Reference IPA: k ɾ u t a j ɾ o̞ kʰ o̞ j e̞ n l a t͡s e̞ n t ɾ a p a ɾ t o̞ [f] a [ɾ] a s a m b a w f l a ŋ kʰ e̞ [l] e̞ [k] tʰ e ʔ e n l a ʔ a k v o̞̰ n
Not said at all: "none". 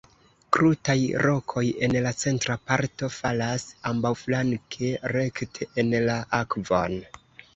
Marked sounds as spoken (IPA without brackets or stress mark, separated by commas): f, l, ɾ, k